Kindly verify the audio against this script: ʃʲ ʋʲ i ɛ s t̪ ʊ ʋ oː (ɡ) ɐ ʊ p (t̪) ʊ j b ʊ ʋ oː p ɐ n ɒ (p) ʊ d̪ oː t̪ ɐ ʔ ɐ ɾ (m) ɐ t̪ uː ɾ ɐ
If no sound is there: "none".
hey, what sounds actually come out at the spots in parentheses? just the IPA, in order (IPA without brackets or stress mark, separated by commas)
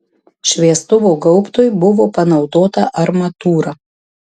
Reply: ɡ, t̪, none, m